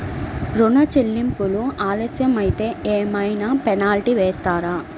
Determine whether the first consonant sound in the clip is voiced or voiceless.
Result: voiced